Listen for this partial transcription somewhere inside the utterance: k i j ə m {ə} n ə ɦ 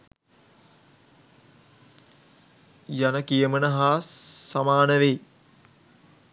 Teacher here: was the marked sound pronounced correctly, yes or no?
yes